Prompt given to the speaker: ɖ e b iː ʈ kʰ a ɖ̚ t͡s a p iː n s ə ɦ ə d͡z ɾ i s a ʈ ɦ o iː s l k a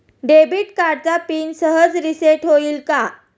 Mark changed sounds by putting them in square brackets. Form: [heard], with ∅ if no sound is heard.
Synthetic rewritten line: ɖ e b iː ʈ [k] a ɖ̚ t͡s a p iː n s ə ɦ ə d͡z ɾ i s [e] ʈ ɦ o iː [∅] l k a